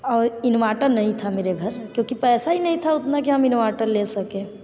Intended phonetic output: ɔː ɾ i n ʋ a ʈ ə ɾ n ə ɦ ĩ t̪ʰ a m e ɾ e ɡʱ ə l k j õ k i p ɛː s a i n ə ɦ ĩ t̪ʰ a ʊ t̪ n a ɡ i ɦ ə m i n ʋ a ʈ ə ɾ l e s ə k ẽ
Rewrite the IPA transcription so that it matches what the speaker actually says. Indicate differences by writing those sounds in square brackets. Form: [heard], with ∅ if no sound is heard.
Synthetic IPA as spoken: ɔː ɾ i n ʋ a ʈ ə ɾ n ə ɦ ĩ t̪ʰ a m e ɾ e ɡʱ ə [ɾ] k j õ k i p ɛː s a i n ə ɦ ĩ t̪ʰ a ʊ t̪ n a [k] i ɦ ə m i n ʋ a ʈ ə ɾ l e s ə k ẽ